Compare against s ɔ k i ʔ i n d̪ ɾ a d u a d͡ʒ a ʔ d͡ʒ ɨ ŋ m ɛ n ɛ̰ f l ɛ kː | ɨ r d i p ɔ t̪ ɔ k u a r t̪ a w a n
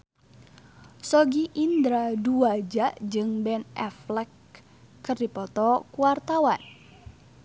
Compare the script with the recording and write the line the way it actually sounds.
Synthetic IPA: s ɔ ɡ i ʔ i n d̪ ɾ a d u a d͡ʒ a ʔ d͡ʒ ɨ ŋ b ɛ n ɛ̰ f l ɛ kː | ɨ r d i p ɔ t̪ ɔ k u a r t̪ a w a n